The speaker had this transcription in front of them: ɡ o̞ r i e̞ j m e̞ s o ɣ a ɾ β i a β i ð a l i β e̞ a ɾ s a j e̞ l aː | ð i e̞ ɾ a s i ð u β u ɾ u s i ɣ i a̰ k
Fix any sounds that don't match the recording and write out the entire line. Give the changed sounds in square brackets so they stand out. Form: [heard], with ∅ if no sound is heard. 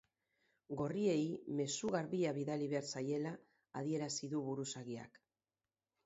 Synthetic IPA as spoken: ɡ o̞ r i e̞ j m e̞ s [u] ɣ a ɾ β i a β i ð a l i β e̞ a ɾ s a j e̞ l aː | ð i e̞ ɾ a s i ð u β u ɾ u s [a] ɣ i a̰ k